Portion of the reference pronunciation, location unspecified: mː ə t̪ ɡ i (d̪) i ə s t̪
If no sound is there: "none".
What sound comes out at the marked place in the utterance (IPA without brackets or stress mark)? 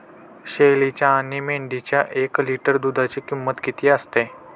t̪